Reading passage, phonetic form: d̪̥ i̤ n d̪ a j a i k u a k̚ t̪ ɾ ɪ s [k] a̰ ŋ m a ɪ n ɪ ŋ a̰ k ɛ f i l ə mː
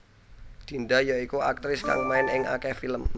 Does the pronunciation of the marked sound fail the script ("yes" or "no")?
no